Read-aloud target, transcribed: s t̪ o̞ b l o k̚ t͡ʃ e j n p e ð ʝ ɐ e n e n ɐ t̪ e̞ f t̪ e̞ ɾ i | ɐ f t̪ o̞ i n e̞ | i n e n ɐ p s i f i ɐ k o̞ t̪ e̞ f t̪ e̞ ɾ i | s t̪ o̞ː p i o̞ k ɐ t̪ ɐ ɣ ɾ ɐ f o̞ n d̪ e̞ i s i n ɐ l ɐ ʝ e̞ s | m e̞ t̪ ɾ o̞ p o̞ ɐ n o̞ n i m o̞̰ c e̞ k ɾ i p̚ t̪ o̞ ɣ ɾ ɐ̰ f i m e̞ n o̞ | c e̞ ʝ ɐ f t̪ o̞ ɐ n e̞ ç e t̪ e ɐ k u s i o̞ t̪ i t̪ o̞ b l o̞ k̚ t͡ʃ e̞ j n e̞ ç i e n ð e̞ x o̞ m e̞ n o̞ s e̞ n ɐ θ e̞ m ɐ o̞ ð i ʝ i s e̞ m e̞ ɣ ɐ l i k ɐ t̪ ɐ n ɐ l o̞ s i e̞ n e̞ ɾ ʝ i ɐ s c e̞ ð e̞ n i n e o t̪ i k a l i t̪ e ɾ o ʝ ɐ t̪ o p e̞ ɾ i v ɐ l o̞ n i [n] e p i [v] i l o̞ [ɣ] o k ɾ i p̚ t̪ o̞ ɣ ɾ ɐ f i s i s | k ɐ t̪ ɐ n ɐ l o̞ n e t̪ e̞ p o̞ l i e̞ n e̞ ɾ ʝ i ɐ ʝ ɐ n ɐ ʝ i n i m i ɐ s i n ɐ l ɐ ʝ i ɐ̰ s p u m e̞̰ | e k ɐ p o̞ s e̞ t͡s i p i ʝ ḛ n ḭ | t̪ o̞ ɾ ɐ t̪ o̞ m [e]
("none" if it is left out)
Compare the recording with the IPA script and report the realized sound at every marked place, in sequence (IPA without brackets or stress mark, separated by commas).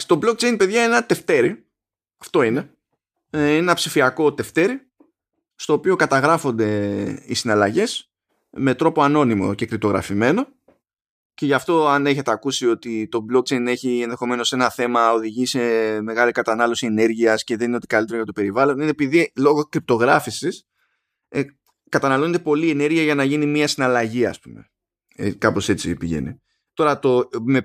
n, ð, ɣ, e